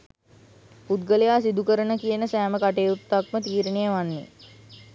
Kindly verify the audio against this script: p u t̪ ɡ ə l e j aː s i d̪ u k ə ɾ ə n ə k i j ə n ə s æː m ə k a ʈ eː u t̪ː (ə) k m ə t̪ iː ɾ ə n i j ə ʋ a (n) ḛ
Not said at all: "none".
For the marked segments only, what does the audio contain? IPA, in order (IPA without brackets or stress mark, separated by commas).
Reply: a, nː